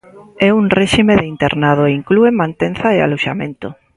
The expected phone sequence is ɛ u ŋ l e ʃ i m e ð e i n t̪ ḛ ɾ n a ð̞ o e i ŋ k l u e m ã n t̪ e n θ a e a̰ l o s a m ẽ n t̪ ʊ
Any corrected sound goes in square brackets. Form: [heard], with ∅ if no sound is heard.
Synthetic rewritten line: ɛ u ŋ [r] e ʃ i m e ð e i n t̪ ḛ ɾ n a ð̞ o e i ŋ k l u e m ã n t̪ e n θ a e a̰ l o [ʃ] a m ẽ n t̪ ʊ